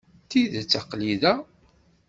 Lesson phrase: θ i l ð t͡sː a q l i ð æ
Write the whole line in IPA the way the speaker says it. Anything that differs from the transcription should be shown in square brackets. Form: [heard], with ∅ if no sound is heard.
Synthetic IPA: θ i [∅] ð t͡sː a q l i ð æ